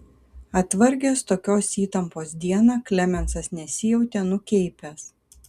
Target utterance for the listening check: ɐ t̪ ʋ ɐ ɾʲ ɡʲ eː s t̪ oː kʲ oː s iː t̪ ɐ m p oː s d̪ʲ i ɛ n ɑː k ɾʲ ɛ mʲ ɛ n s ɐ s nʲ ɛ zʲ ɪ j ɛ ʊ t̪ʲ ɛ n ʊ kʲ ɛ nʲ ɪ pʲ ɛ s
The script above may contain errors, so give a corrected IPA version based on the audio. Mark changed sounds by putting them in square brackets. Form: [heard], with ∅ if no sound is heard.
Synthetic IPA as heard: ɐ t̪ ʋ ɐ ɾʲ ɡʲ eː s t̪ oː kʲ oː s iː t̪ ɐ m p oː s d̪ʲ i ɛ n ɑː k [lʲ] ɛ mʲ ɛ n s ɐ s nʲ ɛ [sʲ] ɪ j ɛ ʊ t̪ʲ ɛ n ʊ kʲ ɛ [∅] ɪ pʲ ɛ s